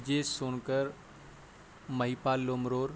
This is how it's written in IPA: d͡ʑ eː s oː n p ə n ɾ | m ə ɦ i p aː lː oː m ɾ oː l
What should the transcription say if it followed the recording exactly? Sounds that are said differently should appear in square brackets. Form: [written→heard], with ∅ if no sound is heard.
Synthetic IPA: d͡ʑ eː s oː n [p→k] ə [n→∅] ɾ | m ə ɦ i p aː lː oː m ɾ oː [l→ɾ]